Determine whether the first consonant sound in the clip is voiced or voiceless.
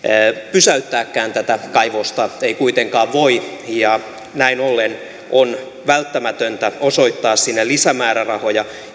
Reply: voiceless